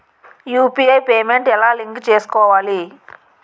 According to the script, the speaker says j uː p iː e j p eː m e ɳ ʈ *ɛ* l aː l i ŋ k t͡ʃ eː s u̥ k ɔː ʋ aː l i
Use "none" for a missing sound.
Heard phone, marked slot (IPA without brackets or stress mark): ɛ